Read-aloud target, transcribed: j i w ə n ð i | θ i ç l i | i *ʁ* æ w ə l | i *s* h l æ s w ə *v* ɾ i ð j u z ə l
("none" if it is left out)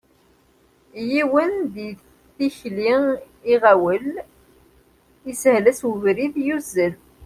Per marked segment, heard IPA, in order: ʁ, s, v

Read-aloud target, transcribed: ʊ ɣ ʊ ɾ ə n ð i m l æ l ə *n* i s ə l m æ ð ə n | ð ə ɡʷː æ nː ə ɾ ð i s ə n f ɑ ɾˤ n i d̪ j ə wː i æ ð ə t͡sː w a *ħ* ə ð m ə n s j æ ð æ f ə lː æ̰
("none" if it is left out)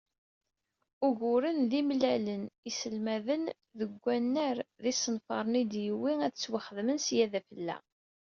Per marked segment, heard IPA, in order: n, χ

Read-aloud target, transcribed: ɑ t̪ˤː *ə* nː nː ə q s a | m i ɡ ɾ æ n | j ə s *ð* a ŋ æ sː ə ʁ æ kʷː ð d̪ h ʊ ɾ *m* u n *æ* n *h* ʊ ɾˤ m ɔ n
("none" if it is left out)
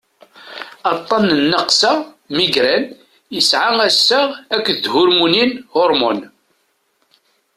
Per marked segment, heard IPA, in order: ɑ, ʕ, m, i, h

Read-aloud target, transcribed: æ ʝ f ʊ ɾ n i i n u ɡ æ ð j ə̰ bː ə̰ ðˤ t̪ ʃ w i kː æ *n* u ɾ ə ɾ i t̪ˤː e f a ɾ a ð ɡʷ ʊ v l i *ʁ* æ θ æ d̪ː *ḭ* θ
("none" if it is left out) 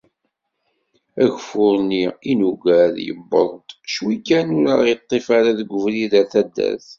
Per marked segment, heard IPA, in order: n, ð, æ̰

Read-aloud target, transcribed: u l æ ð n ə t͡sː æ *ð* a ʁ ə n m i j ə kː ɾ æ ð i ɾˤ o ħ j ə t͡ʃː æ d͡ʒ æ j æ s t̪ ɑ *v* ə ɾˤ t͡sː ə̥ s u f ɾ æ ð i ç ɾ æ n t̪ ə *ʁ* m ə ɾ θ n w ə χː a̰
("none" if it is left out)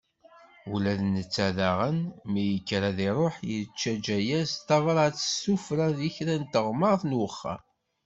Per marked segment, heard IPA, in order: ð, v, ʁ

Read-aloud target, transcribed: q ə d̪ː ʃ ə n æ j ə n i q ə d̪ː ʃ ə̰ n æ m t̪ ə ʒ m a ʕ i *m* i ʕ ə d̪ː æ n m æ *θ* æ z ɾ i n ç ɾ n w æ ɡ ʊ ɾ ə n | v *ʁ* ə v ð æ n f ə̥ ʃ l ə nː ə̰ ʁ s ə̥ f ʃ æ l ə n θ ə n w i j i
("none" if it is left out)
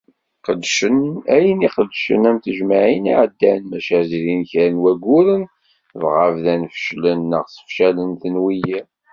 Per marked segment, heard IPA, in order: n, ʃ, ʁ

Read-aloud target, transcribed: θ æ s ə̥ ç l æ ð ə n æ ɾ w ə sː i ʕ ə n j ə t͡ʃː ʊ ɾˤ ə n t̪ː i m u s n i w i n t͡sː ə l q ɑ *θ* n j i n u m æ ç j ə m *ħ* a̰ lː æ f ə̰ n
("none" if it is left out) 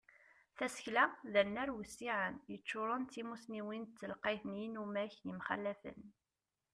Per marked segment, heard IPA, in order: θ, χ

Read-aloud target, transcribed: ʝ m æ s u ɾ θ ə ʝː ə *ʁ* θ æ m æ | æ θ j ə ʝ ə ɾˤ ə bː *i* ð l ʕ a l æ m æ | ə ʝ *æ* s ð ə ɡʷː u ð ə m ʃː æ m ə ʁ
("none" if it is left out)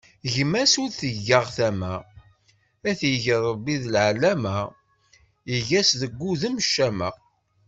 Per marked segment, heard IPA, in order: ʁ, i, æ

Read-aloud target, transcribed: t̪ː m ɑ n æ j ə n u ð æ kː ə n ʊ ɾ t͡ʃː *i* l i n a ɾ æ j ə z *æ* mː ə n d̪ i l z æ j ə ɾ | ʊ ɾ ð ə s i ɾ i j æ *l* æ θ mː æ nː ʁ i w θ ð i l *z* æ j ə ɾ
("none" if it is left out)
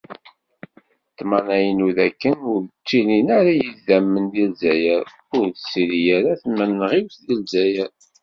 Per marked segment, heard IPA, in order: i, æ, ɾ, z

